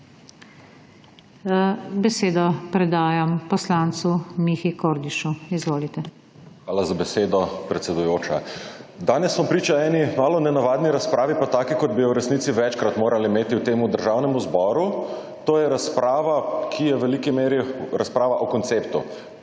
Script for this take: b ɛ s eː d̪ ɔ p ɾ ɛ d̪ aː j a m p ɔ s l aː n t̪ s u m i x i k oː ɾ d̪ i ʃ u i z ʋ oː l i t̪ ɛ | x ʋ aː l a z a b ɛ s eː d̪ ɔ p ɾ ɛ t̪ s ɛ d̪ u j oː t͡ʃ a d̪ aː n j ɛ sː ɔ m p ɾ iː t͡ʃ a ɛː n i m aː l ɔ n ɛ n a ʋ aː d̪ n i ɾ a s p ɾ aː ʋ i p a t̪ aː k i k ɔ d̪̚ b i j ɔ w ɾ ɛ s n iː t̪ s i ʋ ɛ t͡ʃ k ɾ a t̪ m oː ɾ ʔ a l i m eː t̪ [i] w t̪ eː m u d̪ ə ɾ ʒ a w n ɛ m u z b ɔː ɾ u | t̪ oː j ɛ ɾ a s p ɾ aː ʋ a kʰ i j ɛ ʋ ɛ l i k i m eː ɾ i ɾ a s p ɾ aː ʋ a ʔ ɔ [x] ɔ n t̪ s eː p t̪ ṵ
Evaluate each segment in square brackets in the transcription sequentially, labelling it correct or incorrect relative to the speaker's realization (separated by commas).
correct, incorrect